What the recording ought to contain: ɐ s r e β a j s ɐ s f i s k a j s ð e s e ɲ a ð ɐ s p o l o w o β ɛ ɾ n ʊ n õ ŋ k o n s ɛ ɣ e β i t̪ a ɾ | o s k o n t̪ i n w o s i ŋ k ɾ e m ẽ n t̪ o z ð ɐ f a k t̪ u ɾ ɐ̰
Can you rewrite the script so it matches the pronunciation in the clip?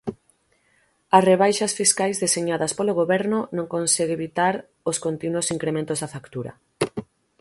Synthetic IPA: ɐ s r e β a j ʃ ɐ s f i s k a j z ð e s e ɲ a ð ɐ s p o l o ɣ o β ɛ ɾ n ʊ n õ ŋ k o n s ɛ ɣ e β i t̪ a ɾ | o s k o n t̪ i n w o s i ŋ k ɾ e m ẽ n t̪ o z ð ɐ f a k t̪ u ɾ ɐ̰